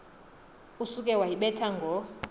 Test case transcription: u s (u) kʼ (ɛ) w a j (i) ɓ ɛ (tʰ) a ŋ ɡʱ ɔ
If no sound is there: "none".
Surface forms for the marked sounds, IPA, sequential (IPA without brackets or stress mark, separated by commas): u, ɛ, i, tʰ